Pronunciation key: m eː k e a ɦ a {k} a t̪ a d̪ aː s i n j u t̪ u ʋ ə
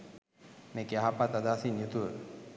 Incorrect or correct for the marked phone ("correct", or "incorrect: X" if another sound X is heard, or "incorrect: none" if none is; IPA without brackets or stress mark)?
incorrect: p